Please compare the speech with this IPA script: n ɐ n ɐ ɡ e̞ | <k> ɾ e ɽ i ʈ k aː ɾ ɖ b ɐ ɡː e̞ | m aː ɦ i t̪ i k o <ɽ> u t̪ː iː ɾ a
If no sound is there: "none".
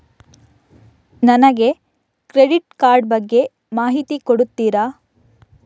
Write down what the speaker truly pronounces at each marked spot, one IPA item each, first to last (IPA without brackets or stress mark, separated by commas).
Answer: k, ɽ